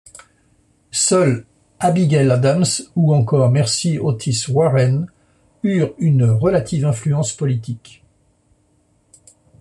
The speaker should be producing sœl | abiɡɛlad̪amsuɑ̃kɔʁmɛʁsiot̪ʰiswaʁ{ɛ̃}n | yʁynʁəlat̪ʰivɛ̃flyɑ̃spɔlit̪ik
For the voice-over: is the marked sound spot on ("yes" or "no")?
no